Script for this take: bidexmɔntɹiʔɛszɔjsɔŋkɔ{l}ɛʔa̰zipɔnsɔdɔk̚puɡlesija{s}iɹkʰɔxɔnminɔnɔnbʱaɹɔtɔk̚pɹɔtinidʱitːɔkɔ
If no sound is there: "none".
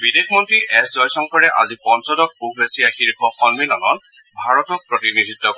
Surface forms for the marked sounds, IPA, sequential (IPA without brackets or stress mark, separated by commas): ɹ, x